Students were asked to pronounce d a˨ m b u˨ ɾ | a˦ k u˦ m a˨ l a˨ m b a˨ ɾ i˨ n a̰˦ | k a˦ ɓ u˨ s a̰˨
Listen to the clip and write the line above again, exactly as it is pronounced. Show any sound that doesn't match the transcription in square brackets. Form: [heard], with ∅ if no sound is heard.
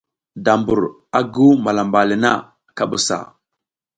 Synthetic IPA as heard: d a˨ m b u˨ ɾ | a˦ [ɡ] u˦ m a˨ l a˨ m b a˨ [l] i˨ n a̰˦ | k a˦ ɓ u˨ s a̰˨